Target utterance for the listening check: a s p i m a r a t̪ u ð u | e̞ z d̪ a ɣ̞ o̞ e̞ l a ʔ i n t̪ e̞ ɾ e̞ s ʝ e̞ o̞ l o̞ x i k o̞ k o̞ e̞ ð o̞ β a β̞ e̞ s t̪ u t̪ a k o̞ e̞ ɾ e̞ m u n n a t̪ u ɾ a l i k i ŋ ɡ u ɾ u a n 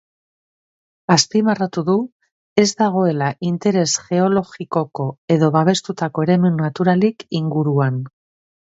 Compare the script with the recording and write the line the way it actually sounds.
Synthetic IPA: a s p i m a r a t̪ u ð u | e̞ z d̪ a ɣ̞ o̞ e̞ l a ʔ i n t̪ e̞ ɾ e̞ s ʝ e̞ o̞ l o̞ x i k o̞ k o̞ e̞ ð o̞ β a β̞ e̞ s t̪ u t̪ a k o̞ e̞ ɾ e̞ m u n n a t̪ u ɾ a l i k i ŋ ɡ u ɾ u a n